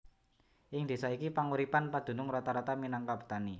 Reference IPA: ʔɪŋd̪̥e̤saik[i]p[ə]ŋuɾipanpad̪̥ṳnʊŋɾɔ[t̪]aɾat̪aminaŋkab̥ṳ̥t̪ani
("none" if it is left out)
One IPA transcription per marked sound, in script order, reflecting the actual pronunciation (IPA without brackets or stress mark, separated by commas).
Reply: i, a, t̪